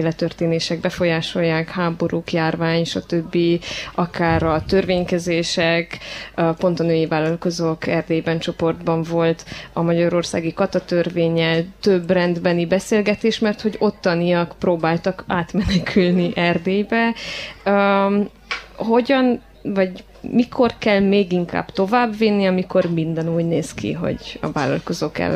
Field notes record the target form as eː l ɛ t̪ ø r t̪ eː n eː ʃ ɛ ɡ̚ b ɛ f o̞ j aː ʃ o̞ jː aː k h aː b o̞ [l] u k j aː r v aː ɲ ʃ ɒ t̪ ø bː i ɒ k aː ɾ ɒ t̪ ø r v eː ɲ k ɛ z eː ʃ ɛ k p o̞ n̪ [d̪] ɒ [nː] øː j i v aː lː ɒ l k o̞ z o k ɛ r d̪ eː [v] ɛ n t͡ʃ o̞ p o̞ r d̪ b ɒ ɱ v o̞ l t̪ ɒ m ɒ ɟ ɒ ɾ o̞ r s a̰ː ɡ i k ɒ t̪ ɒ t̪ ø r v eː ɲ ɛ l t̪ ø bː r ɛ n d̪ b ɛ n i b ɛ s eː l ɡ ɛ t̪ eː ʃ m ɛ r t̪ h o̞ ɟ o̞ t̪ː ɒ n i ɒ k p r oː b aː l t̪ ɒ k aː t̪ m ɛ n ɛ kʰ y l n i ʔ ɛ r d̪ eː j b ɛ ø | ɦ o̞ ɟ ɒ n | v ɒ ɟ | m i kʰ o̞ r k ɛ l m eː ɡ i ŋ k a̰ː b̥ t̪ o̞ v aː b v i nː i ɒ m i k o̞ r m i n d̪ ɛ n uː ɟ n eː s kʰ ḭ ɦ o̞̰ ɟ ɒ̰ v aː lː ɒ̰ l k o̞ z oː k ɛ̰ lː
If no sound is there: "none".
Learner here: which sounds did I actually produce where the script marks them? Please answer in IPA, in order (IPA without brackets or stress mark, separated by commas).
ɾ, t̪, n, b